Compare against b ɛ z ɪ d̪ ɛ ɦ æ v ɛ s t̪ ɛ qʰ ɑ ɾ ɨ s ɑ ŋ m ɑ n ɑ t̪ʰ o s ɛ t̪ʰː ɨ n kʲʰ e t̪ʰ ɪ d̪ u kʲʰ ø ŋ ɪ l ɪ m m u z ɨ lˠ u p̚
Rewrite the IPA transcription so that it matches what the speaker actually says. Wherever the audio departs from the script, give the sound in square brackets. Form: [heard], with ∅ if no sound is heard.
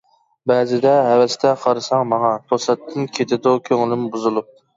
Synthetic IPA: b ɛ z ɪ d̪ ɛ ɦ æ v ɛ s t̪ ɛ qʰ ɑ ɾ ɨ s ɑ ŋ m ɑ [ŋ] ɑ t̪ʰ o s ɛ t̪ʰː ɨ n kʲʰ e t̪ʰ ɪ d̪ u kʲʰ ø ŋ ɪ l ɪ m [b] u z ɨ lˠ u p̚